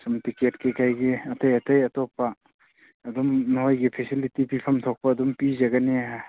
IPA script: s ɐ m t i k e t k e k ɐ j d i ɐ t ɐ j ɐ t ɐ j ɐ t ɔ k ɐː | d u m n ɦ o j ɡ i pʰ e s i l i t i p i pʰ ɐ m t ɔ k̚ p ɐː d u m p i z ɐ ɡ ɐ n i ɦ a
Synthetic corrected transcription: s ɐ m t i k e t k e k a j ɡ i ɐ t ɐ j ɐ t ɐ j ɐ t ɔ p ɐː | d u m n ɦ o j ɡ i pʰ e s i l i t i p i pʰ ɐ m tʰ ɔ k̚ p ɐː d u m p i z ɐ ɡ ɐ n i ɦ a